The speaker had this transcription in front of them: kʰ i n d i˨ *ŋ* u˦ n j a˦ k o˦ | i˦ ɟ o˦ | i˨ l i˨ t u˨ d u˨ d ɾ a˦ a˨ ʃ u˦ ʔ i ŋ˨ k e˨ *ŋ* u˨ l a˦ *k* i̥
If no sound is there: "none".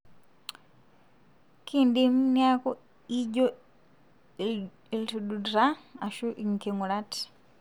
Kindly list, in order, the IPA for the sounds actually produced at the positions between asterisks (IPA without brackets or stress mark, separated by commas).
m, ŋ, t